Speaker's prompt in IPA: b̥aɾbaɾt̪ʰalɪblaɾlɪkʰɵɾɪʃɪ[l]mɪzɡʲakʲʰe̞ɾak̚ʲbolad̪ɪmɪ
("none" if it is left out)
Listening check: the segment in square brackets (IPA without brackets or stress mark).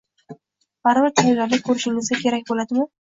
l